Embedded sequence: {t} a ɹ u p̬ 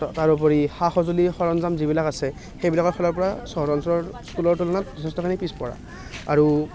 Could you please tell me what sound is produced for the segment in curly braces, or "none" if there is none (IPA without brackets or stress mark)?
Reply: t